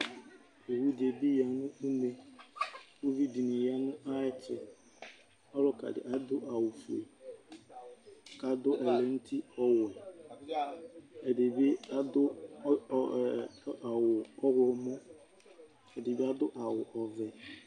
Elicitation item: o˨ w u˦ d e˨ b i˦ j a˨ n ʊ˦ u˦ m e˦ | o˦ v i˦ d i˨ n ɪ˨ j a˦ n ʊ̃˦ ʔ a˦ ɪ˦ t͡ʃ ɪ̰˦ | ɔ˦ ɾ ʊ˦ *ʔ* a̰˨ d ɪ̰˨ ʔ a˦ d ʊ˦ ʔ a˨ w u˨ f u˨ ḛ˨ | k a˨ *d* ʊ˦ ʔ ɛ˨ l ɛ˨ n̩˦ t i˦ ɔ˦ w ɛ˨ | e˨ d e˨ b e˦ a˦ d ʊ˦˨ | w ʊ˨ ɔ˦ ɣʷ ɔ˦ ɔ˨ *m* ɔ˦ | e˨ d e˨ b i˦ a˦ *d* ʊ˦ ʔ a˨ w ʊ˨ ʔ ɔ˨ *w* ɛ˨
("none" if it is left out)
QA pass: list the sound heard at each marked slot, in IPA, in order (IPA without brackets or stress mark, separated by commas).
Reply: k, d, m, d, v